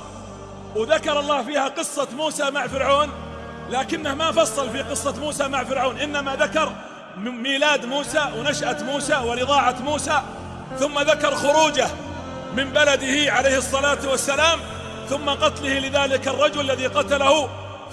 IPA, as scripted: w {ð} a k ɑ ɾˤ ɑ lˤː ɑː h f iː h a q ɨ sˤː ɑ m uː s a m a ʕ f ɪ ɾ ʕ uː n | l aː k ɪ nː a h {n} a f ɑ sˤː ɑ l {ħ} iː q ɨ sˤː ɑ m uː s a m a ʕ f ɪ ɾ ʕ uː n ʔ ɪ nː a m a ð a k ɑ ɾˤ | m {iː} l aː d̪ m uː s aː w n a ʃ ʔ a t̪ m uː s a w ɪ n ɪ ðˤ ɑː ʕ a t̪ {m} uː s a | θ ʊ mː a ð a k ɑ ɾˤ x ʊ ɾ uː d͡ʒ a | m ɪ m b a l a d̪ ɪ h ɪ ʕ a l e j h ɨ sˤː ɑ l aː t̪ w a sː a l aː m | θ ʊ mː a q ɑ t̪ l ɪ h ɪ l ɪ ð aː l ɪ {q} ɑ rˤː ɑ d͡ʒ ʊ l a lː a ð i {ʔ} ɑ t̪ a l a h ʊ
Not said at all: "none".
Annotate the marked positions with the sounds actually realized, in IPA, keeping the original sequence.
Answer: ð, m, f, iː, m, k, q

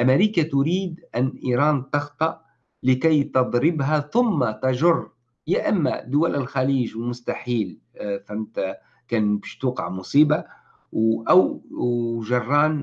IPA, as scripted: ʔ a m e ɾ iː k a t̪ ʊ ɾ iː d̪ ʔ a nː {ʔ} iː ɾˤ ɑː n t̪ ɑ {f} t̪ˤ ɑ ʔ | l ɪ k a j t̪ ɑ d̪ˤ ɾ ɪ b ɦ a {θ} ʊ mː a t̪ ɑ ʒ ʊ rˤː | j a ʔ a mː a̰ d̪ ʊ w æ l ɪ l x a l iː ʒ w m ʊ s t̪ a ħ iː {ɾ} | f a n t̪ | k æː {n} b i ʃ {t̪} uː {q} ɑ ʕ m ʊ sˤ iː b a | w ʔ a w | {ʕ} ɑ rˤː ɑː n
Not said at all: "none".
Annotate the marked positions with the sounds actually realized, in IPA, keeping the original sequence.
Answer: ʔ, x, θ, l, n, t̪, q, ʒ

